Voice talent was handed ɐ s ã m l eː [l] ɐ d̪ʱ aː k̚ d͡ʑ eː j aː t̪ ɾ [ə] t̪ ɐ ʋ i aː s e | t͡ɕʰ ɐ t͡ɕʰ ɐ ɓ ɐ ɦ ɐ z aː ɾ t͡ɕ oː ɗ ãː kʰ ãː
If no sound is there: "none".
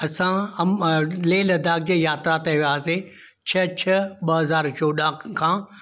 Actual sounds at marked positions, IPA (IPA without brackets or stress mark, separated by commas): l, a